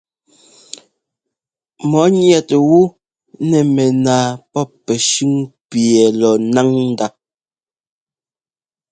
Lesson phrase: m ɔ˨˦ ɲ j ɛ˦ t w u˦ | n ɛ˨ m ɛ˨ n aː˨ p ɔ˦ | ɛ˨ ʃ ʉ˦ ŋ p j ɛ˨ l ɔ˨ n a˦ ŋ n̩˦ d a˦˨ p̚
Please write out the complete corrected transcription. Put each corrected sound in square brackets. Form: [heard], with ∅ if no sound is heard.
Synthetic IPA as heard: m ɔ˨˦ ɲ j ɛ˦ t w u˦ | n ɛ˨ m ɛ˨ n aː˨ p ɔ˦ | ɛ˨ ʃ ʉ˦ ŋ p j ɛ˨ l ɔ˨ n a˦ ŋ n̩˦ d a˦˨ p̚